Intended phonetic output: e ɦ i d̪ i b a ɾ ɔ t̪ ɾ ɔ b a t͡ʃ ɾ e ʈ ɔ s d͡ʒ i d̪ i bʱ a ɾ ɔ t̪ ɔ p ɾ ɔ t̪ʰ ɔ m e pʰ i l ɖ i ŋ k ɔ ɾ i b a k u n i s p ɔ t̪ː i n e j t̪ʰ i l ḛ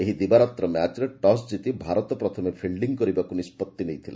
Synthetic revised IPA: e ɦ i d̪ i b a ɾ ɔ t̪ ɾ ɔ m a t͡ʃ ɾ e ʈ ɔ s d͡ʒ i t̪ i bʱ a ɾ ɔ t̪ ɔ p ɾ ɔ t̪ʰ ɔ m e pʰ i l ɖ i ŋ k ɔ ɾ i b a k u n i s p ɔ t̪ː i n e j t̪ʰ i l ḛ